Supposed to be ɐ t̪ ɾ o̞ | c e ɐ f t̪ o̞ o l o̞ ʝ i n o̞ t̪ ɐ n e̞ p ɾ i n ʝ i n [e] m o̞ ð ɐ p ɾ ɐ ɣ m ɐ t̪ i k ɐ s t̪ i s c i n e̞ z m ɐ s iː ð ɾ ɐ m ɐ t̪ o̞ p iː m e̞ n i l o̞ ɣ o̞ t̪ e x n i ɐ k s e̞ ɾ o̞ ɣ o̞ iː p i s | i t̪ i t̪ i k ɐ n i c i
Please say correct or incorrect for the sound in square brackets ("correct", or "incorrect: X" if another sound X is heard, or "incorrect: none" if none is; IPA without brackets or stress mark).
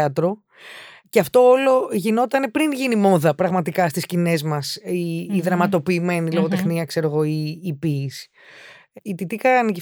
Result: incorrect: i